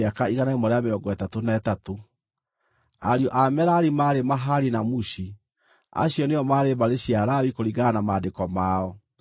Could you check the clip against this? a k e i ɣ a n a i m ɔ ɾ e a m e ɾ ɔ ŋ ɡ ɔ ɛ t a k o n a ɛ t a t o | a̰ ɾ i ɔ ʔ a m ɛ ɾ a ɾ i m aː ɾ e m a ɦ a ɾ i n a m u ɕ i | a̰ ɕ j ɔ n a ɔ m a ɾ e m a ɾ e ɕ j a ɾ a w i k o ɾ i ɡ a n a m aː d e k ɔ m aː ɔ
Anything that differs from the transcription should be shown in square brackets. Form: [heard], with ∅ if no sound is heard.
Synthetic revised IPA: a k [a] i ɣ a n a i m ɔ ɾ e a m e ɾ ɔ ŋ ɡ ɔ ɛ t a [t] o n a ɛ t a t o | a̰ ɾ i ɔ ʔ a m ɛ ɾ a ɾ i m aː ɾ e m a ɦ a ɾ i n a m u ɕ i | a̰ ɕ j ɔ n [e] ɔ m a ɾ e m a ɾ e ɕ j a ɾ a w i k o ɾ i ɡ a n a m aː d e k ɔ m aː ɔ